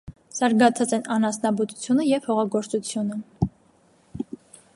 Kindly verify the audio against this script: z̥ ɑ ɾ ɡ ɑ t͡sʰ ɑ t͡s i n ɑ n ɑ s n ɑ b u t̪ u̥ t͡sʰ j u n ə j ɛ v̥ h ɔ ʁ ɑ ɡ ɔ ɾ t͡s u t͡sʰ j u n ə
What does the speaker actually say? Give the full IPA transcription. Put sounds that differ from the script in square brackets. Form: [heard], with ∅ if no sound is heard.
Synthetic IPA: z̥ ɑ ɾ ɡ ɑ t͡sʰ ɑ t͡s [ɛ] n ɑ n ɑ s n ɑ b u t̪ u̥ t͡sʰ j u n ə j ɛ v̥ h ɔ ʁ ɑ ɡ ɔ ɾ t͡s u t͡sʰ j u n ə

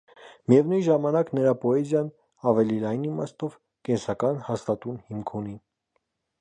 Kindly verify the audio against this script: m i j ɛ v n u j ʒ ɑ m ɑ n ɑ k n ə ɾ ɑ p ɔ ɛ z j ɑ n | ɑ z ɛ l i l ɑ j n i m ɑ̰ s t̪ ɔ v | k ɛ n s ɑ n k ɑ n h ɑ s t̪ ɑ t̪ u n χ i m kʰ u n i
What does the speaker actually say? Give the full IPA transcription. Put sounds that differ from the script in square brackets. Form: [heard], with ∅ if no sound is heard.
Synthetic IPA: m i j ɛ v n u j ʒ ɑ m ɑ n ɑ k n ə ɾ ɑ p ɔ ɛ z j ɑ n | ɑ [v] ɛ l i l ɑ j n i m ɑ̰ s t̪ ɔ v | k ɛ n s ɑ [∅] k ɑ n h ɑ s t̪ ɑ t̪ u n [h] i m kʰ u n i

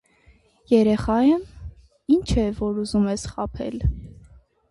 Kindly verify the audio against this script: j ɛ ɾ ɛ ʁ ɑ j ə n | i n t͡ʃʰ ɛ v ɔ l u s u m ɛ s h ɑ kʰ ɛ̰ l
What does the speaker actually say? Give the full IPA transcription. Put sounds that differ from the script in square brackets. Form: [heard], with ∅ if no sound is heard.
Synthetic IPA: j ɛ ɾ ɛ [χ] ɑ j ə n | i n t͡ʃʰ ɛ v ɔ [ɾ] u [z] u m ɛ s [χ] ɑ [pʰ] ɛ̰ l

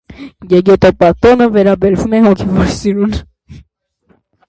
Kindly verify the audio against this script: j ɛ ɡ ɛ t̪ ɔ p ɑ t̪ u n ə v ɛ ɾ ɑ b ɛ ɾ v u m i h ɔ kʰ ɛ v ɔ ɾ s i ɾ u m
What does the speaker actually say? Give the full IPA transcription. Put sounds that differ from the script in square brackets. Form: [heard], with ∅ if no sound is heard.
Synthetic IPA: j ɛ ɡ ɛ t̪ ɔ p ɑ t̪ [ɔ] n ə v ɛ ɾ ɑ b ɛ ɾ v u m [ɛ] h ɔ kʰ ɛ v ɔ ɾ s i ɾ u [n]

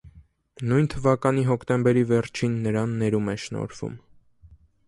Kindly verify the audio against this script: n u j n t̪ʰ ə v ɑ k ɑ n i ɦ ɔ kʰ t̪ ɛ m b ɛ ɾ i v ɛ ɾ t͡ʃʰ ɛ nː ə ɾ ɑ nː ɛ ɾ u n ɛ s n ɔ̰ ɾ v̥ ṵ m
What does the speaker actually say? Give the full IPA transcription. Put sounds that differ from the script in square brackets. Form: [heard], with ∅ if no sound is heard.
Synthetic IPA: n u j n t̪ʰ ə v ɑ k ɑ n i ɦ ɔ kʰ t̪ ɛ m b ɛ ɾ i v ɛ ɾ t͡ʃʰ [i] nː ə ɾ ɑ nː ɛ ɾ u [m] ɛ [ʃ] n ɔ̰ ɾ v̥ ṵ m

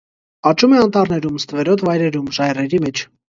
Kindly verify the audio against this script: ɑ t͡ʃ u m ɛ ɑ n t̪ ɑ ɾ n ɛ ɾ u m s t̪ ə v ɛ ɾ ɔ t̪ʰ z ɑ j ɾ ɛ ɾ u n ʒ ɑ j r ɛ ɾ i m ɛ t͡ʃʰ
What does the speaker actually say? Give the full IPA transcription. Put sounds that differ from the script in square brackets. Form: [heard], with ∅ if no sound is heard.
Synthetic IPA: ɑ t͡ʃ u m ɛ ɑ n t̪ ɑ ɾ n ɛ ɾ u m s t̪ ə v ɛ ɾ ɔ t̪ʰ [v] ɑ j ɾ ɛ ɾ u [m] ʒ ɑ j r ɛ ɾ i m ɛ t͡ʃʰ

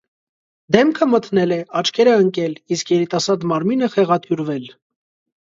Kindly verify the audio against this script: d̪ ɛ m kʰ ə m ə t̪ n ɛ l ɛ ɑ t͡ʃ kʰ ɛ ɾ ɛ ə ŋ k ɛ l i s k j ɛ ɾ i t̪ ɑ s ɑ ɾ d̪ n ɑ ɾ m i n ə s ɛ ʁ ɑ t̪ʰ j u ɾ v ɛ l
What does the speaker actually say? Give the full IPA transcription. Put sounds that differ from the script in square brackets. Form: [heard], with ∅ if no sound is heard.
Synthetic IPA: d̪ ɛ m kʰ ə m ə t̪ n ɛ l ɛ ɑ t͡ʃ kʰ ɛ ɾ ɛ ə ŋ k ɛ l i s k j ɛ ɾ i t̪ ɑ s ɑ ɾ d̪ [m] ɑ ɾ m i n ə [χ] ɛ ʁ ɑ t̪ʰ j u ɾ v ɛ l

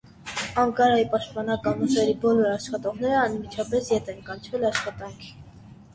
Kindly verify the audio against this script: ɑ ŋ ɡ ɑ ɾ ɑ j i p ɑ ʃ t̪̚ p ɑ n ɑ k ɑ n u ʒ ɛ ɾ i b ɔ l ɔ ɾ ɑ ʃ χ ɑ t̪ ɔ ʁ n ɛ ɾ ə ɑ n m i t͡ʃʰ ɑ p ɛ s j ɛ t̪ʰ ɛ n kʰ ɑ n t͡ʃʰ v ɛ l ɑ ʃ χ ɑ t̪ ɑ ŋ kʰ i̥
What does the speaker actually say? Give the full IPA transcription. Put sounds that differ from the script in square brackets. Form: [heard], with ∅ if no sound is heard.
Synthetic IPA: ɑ ŋ [k] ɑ ɾ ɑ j i p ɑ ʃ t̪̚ p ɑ n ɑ k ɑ n u ʒ ɛ ɾ i b ɔ l ɔ ɾ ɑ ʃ χ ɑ t̪ ɔ ʁ n ɛ ɾ ə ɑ n m i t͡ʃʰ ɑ p ɛ s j ɛ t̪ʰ ɛ n [k] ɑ n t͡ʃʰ v ɛ l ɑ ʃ χ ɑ t̪ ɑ ŋ kʰ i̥

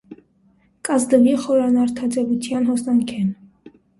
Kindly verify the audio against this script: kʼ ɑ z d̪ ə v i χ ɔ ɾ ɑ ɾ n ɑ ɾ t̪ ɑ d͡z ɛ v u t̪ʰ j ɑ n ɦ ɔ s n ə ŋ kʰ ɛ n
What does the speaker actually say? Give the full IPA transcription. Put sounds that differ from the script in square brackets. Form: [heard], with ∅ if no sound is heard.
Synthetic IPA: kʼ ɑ z d̪ ə v i χ ɔ ɾ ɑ [∅] n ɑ ɾ [t̪ʰ] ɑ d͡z ɛ v u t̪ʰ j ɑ n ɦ ɔ s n [ɑ] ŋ kʰ ɛ n

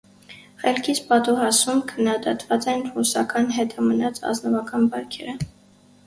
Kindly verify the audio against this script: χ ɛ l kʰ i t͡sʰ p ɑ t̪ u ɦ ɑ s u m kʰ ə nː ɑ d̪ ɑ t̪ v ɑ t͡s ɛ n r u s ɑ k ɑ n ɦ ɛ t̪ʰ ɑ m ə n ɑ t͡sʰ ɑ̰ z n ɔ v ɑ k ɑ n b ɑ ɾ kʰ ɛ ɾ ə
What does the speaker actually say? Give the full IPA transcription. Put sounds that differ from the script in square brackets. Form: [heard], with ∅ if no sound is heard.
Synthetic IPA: χ ɛ l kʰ i t͡sʰ p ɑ t̪ u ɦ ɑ s u m kʰ ə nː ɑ d̪ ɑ t̪ v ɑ t͡s ɛ n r u s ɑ k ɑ n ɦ ɛ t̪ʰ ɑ m ə n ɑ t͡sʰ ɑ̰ z n ɔ v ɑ k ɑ n b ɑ ɾ kʰ ɛ ɾ ə

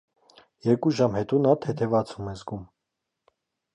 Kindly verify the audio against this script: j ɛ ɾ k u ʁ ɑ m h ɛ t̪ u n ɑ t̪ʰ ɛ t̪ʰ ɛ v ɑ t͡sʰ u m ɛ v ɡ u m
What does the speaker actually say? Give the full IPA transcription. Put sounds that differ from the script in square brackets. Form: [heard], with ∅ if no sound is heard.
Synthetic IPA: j ɛ ɾ k u [ʒ] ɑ m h ɛ t̪ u n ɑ t̪ʰ ɛ t̪ʰ ɛ v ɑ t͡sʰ u m ɛ [z] ɡ u m

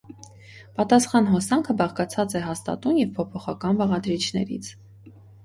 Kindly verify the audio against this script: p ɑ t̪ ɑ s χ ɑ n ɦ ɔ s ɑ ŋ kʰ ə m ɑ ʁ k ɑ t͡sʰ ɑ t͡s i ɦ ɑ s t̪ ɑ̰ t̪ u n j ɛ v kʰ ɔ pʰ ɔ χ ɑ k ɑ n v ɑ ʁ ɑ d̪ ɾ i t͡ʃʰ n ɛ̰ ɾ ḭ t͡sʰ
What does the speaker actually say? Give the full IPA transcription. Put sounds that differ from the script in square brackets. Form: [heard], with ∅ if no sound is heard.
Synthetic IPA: p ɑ t̪ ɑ s χ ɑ n ɦ ɔ s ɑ ŋ kʰ ə [b] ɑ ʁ k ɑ t͡sʰ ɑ t͡s [ɛ] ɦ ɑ s t̪ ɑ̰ t̪ u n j ɛ v [pʰ] ɔ pʰ ɔ χ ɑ k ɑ n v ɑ ʁ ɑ d̪ ɾ i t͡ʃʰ n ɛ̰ ɾ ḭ t͡sʰ

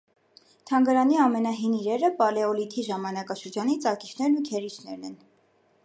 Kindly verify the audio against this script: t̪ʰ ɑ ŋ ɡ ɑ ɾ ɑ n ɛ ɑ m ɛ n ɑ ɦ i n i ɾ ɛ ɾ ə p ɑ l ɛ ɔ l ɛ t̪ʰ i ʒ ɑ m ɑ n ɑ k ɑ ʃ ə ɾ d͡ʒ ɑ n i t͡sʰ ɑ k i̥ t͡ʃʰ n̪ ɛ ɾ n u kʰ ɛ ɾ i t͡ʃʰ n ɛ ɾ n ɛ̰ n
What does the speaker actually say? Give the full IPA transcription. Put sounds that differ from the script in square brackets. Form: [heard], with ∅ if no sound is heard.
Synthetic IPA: t̪ʰ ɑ ŋ ɡ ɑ ɾ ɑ n [i] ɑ m ɛ n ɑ ɦ i n i ɾ ɛ ɾ ə p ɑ l ɛ ɔ l [i] t̪ʰ i ʒ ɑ m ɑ n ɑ k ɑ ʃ ə ɾ d͡ʒ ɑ n i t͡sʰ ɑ k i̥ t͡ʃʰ n̪ ɛ ɾ n u kʰ ɛ ɾ i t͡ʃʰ n ɛ ɾ n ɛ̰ n

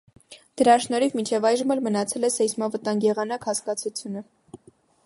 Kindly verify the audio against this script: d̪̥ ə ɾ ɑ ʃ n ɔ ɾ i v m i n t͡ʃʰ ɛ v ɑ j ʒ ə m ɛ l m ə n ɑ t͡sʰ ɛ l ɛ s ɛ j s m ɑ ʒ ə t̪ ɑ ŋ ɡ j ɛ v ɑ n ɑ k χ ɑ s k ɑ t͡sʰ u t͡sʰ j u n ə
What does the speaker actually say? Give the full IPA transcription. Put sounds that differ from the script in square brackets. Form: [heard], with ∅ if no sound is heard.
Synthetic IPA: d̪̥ ə ɾ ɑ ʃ n ɔ ɾ i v m i n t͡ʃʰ ɛ v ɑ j ʒ ə m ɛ l m ə n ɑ t͡sʰ ɛ l ɛ s ɛ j s m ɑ [v] ə t̪ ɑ ŋ ɡ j ɛ [ʁ] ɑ n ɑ k [h] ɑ s k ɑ t͡sʰ u t͡sʰ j u n ə

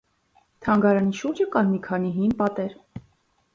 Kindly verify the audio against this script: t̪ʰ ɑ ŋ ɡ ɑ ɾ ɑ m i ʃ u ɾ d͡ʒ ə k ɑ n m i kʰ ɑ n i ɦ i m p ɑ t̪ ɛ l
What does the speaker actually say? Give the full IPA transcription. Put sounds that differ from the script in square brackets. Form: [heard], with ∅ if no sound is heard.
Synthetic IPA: t̪ʰ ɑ ŋ ɡ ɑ ɾ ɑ [n] i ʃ u ɾ d͡ʒ ə k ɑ n m i kʰ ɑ n i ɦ i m p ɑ t̪ ɛ [ɾ]

